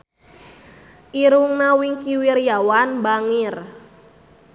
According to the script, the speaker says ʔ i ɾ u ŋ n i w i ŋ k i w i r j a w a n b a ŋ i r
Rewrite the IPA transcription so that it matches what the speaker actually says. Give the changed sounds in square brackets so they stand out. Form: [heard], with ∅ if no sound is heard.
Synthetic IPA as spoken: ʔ i ɾ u ŋ n [a] w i ŋ k i w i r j a w a n b a ŋ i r